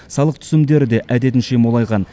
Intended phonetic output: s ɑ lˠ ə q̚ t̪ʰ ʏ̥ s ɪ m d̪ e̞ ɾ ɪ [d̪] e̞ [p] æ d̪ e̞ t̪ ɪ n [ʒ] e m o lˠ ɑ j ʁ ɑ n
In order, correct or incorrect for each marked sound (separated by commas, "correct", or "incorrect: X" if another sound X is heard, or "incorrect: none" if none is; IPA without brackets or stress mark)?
correct, incorrect: ʔ, incorrect: ʃ